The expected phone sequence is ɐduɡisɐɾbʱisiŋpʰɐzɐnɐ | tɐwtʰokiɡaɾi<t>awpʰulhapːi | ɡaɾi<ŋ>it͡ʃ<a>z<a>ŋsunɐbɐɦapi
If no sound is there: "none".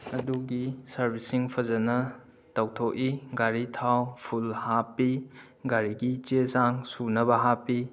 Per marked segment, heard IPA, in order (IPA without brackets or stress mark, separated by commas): tʰ, ɡ, e, a